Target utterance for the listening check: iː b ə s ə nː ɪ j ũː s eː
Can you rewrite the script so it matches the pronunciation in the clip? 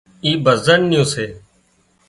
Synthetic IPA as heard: iː b ə z ə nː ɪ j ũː s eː